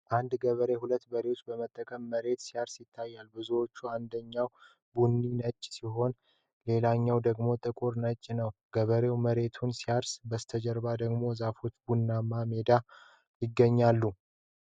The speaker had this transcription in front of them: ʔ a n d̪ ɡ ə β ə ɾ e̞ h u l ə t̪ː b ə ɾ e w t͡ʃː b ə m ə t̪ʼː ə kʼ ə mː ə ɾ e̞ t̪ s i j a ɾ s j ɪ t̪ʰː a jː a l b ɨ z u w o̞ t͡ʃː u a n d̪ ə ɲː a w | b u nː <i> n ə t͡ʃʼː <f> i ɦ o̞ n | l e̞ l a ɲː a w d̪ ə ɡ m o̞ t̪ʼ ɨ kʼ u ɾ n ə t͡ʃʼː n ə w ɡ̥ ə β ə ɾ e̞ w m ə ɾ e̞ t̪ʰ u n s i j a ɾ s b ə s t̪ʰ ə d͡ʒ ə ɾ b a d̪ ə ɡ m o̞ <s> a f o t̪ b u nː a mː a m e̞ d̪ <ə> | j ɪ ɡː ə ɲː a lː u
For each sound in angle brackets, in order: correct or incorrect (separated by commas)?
correct, incorrect, incorrect, incorrect